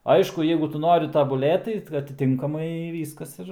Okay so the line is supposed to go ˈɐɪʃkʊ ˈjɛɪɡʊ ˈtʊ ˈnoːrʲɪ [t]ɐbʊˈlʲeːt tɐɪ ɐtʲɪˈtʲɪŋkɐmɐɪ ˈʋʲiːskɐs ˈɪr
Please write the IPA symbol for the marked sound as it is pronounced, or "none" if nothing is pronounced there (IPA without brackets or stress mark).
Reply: t